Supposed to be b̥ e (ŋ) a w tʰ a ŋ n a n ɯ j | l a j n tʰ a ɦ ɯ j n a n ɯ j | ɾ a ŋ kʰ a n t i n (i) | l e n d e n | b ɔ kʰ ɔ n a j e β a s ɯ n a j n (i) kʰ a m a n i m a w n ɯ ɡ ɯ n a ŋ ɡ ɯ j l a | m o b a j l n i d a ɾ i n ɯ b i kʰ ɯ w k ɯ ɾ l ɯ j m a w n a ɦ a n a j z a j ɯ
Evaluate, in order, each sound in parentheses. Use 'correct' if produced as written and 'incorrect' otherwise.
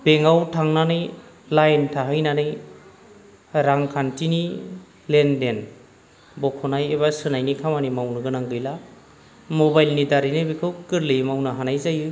correct, correct, correct

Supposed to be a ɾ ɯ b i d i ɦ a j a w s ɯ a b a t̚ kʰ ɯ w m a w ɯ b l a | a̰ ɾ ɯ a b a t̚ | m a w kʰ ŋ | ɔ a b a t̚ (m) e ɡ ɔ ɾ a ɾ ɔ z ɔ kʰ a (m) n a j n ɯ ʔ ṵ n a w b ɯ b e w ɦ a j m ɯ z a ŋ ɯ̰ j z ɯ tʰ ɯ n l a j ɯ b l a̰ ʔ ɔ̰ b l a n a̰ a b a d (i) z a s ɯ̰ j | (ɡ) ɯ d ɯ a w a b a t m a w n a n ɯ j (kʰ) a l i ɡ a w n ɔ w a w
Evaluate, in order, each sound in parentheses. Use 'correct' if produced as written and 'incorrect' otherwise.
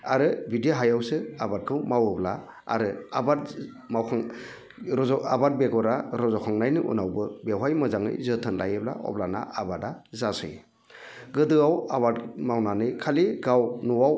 incorrect: b, incorrect: ŋ, incorrect: a, correct, correct

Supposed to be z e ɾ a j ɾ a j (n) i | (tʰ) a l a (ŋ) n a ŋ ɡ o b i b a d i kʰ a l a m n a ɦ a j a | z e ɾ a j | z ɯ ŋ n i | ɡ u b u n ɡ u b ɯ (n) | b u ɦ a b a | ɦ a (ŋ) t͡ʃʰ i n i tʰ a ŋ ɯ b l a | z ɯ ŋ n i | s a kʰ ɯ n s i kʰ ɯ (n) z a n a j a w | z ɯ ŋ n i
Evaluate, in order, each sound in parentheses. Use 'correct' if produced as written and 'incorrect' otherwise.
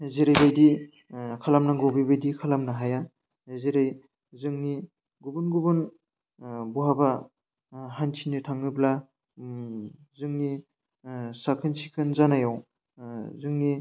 incorrect: d, incorrect: kʰ, incorrect: m, correct, incorrect: n, correct

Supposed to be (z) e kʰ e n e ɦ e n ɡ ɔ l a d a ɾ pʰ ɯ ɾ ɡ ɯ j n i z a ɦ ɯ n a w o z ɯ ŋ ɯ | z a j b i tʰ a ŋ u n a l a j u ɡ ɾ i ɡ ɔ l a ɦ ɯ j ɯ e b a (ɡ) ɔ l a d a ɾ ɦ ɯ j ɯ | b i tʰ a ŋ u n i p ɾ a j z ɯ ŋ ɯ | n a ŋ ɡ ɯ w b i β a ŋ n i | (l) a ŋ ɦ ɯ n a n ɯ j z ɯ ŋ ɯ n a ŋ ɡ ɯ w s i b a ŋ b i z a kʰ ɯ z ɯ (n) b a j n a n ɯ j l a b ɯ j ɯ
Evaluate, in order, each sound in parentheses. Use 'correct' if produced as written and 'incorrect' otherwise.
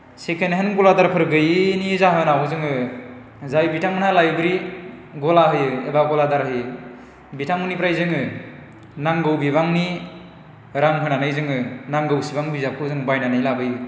incorrect: s, correct, incorrect: ɾ, incorrect: ŋ

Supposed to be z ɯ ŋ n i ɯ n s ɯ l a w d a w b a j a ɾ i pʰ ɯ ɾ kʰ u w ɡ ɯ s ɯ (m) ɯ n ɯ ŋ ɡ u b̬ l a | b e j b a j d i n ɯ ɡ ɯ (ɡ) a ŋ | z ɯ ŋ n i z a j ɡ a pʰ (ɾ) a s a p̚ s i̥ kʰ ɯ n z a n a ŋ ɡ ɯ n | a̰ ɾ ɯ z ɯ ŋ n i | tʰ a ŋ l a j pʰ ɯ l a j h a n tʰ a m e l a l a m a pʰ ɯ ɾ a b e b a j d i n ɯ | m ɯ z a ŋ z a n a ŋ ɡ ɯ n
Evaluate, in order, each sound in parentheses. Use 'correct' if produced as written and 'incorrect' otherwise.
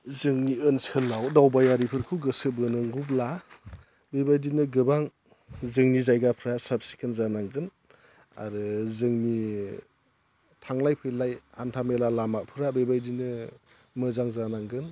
incorrect: b, incorrect: b, correct

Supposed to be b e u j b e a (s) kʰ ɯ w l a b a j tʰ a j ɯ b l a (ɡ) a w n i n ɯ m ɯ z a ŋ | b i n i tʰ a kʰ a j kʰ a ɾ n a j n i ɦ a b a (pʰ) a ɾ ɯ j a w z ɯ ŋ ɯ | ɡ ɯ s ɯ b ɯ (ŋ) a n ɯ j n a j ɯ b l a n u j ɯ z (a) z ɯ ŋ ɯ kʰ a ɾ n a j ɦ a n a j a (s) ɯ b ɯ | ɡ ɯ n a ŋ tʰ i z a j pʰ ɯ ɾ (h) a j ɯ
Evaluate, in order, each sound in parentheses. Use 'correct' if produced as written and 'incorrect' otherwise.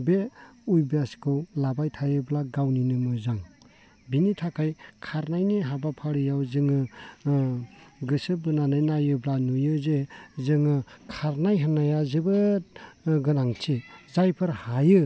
correct, correct, correct, incorrect: n, incorrect: e, incorrect: z, correct

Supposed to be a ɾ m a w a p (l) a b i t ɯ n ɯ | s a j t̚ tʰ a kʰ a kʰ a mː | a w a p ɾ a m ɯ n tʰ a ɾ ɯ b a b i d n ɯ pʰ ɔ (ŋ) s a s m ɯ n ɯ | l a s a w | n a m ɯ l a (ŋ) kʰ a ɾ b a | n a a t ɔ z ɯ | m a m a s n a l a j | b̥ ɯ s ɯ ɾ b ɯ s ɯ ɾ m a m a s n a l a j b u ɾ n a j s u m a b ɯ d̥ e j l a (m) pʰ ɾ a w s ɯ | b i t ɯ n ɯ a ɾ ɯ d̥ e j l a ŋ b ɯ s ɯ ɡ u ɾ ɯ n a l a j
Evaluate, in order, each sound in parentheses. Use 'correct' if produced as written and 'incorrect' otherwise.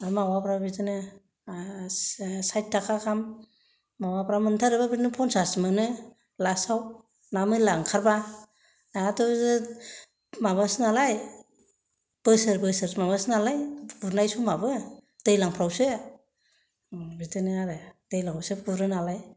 incorrect: ɾ, incorrect: n, correct, incorrect: ŋ

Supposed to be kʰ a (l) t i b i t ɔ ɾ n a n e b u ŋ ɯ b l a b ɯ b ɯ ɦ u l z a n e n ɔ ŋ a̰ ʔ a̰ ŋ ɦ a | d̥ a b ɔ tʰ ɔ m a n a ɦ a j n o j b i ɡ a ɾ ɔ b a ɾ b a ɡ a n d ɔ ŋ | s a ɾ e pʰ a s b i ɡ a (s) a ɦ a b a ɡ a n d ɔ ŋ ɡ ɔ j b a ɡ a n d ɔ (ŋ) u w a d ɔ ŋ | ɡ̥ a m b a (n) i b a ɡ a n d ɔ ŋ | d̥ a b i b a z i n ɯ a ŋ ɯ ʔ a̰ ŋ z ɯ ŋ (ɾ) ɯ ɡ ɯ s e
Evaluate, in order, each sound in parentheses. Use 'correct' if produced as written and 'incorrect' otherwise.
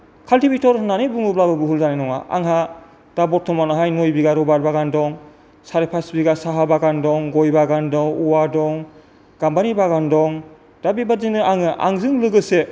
correct, correct, correct, correct, incorrect: l

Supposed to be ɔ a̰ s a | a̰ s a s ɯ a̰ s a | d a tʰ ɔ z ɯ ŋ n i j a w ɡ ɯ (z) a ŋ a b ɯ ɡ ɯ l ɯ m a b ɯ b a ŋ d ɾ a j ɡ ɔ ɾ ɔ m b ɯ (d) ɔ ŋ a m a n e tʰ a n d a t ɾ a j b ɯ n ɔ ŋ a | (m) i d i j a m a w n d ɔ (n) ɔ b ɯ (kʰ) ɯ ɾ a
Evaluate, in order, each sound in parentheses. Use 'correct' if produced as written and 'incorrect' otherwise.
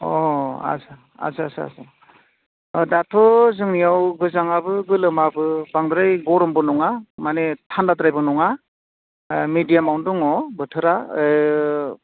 correct, incorrect: n, correct, incorrect: ŋ, incorrect: tʰ

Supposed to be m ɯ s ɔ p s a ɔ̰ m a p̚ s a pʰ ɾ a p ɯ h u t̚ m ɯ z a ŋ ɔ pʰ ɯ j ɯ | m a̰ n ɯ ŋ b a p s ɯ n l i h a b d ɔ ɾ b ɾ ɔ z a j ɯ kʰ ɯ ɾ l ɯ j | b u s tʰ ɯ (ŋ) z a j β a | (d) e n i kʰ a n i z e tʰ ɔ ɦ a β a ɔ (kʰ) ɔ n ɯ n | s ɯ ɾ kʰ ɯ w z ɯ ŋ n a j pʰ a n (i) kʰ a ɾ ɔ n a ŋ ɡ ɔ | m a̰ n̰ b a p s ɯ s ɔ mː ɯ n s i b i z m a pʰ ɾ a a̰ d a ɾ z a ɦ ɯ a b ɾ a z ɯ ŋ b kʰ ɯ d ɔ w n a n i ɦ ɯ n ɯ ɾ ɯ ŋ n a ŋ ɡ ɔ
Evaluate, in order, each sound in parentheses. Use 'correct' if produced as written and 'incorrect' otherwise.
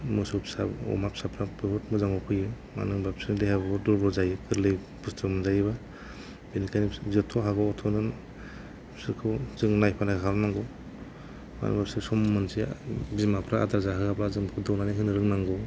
incorrect: m, incorrect: b, incorrect: tʰ, incorrect: a

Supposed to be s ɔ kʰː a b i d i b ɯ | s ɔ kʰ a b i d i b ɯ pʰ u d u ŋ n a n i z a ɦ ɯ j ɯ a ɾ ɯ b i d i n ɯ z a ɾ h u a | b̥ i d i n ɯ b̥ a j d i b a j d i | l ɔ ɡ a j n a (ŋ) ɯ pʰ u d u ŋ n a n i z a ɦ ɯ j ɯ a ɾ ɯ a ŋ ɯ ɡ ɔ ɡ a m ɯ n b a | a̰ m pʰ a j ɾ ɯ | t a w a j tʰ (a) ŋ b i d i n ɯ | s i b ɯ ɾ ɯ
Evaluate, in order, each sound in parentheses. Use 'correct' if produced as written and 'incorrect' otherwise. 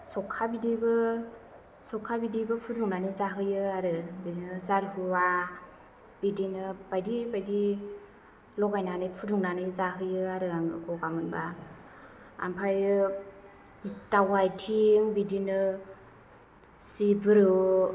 incorrect: n, incorrect: i

